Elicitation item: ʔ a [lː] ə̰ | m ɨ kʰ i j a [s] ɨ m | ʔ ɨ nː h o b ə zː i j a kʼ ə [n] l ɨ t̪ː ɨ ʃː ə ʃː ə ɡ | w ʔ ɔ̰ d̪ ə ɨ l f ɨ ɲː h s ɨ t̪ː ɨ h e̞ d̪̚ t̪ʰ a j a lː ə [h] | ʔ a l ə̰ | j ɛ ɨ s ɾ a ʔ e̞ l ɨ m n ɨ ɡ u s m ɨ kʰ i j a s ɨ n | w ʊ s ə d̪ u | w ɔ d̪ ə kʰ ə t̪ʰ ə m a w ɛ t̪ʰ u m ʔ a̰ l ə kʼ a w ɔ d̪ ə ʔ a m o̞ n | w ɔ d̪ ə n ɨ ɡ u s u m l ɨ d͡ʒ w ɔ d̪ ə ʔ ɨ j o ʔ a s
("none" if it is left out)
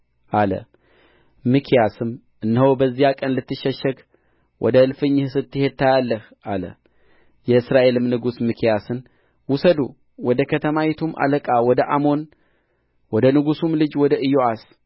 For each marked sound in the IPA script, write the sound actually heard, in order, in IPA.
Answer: l, s, n, h

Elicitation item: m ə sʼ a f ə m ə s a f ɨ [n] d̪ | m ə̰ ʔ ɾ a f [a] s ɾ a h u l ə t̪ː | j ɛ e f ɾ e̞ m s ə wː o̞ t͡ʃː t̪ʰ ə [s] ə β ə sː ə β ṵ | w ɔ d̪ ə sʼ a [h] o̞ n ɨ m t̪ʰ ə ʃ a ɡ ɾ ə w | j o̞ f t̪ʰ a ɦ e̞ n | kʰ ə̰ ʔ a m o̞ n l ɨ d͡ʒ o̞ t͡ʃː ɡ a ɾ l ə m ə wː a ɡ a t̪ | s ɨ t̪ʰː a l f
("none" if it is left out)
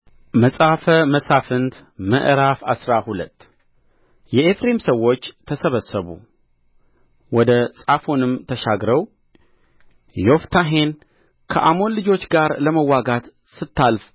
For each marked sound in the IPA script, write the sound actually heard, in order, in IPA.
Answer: n, a, s, f

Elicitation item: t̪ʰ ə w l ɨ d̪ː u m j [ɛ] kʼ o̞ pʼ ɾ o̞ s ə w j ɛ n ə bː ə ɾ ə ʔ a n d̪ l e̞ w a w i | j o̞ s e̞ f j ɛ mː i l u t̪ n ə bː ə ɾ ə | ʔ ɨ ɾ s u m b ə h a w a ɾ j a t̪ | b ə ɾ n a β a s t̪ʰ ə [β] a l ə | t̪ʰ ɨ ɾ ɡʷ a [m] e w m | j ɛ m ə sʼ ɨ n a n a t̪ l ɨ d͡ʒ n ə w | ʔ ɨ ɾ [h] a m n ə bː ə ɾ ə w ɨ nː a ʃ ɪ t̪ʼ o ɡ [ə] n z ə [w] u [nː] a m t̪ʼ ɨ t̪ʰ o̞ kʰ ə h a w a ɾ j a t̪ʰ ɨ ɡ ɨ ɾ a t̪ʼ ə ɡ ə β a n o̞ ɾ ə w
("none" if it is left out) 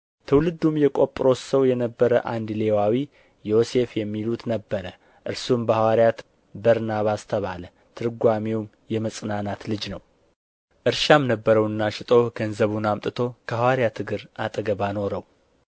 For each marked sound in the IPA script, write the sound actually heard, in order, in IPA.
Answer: ɛ, β, m, ʃ, ə, β, n

